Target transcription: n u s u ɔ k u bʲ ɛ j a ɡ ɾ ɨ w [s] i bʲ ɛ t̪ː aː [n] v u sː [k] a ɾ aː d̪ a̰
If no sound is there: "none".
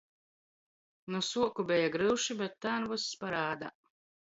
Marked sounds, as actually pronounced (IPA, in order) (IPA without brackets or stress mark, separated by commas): ʃ, n, p